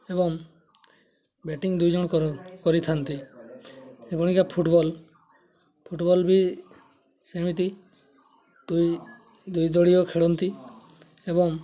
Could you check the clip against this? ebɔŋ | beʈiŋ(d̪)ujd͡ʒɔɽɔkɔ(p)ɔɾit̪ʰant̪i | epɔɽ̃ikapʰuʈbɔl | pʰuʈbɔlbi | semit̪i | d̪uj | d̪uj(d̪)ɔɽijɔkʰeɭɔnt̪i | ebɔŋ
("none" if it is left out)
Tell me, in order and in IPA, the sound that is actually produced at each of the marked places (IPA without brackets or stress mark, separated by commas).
d̪, k, d̪